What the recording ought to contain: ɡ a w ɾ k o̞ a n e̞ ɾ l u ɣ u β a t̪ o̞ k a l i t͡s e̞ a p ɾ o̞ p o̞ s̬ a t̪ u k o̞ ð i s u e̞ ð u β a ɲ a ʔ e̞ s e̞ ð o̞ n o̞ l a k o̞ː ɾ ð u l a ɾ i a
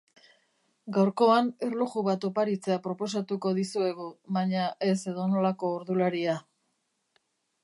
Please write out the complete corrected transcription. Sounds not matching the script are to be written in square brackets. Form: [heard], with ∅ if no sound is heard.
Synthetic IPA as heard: ɡ a w ɾ k o̞ a n e̞ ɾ l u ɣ u β a t̪ o̞ [p] a [ɾ] i t͡s e̞ a p ɾ o̞ p o̞ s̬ a t̪ u k o̞ ð i s u e̞ [ɣ] u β a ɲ a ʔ e̞ s e̞ ð o̞ n o̞ l a k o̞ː ɾ ð u l a ɾ i a

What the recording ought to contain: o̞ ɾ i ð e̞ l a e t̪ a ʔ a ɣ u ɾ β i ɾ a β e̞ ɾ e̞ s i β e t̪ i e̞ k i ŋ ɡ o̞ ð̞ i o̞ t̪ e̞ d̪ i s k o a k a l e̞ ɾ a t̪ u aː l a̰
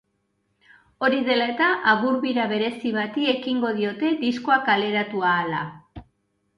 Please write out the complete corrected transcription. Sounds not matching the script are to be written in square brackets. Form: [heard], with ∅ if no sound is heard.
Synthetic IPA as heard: o̞ ɾ i ð e̞ l a e t̪ a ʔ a ɣ u ɾ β i ɾ a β e̞ ɾ e̞ s i β [a] t̪ i e̞ k i ŋ ɡ o̞ ð̞ i o̞ t̪ e̞ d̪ i s k o a k a l e̞ ɾ a t̪ u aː l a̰

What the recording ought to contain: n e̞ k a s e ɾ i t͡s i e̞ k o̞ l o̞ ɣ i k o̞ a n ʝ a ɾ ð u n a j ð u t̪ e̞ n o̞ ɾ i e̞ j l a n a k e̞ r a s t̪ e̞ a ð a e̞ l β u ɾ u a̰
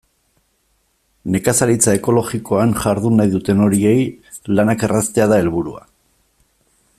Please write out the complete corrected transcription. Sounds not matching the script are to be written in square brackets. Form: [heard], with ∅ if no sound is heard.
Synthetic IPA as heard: n e̞ k a s [a] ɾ i t͡s [a] e̞ k o̞ l o̞ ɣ i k o̞ a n ʝ a ɾ ð u n a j ð u t̪ e̞ n o̞ ɾ i e̞ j l a n a k e̞ r a s t̪ e̞ a ð a e̞ l β u ɾ u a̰

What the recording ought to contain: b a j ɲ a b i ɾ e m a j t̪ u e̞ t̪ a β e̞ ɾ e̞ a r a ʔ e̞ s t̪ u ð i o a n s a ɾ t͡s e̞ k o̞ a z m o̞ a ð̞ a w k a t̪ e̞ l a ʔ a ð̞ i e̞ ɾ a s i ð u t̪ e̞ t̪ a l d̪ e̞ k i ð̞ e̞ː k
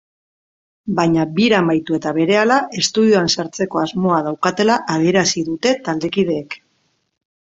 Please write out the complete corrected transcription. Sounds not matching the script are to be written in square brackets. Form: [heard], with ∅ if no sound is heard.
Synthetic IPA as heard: b a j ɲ a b i ɾ [a] m a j t̪ u e̞ t̪ a β e̞ ɾ e̞ a [l] a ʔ e̞ s t̪ u ð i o a n s a ɾ t͡s e̞ k o̞ a z m o̞ a ð̞ a w k a t̪ e̞ l a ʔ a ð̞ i e̞ ɾ a s i ð u t̪ e̞ t̪ a l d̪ e̞ k i ð̞ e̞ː k

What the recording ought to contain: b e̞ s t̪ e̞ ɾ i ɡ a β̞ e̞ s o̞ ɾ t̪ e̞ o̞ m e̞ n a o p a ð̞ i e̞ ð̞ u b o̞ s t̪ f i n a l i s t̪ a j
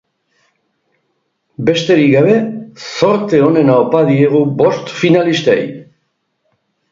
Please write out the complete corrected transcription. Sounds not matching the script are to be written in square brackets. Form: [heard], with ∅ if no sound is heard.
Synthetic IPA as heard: b e̞ s t̪ e̞ ɾ i ɡ a β̞ e̞ s o̞ ɾ t̪ e̞ o̞ [n] e̞ n a o p a ð̞ i e̞ [ɣ̞] u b o̞ s t̪ f i n a l i s t̪ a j

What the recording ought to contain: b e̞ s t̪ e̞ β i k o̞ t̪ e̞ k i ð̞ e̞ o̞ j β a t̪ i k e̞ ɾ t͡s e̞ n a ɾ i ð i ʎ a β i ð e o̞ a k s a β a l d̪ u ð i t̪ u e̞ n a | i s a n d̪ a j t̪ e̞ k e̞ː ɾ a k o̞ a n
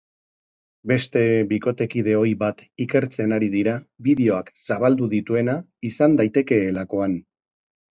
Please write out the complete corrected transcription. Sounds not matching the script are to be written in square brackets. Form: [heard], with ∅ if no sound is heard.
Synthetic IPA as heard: b e̞ s t̪ e̞ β i k o̞ t̪ e̞ k i ð̞ e̞ o̞ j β a t̪ i k e̞ ɾ t͡s e̞ n a ɾ i ð i [ɾ] a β i ð e o̞ a k s a β a l d̪ u ð i t̪ u e̞ n a | i s a n d̪ a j t̪ e̞ k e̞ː [l] a k o̞ a n

